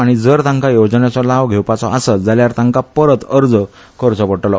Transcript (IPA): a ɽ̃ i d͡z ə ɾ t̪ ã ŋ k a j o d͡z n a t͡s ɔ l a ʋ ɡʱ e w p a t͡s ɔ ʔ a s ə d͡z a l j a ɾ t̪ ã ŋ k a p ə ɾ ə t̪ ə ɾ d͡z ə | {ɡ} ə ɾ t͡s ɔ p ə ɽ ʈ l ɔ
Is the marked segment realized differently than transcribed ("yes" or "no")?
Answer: yes